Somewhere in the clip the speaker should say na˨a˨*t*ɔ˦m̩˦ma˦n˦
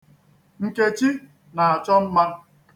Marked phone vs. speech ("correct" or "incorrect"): incorrect